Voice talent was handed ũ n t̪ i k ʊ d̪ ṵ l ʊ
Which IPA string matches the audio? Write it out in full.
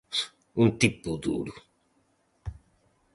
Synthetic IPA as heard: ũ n t̪ i p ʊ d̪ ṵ ɾ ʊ